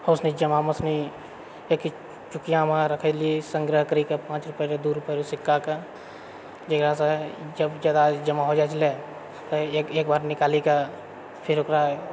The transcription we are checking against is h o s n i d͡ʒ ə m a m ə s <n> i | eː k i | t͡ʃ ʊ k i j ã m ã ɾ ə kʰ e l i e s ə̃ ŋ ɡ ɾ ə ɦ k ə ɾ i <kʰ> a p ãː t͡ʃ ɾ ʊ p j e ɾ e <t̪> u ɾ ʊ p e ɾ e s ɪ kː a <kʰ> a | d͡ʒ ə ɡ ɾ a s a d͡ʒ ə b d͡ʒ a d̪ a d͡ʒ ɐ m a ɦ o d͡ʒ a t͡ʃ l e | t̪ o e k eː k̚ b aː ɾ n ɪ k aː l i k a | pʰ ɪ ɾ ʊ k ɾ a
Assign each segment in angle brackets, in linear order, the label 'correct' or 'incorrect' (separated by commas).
correct, incorrect, incorrect, incorrect